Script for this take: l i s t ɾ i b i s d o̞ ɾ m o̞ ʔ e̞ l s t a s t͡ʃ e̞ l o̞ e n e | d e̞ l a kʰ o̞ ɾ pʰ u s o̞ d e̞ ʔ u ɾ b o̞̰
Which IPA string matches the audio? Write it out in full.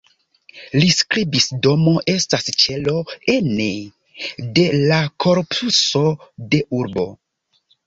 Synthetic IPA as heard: l i s k ɾ i b i s d o̞ m o̞ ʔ e̞ s t a s t͡ʃ e̞ l o̞ e n e | d e̞ l a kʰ o̞ ɾ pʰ u s o̞ d e̞ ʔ u ɾ b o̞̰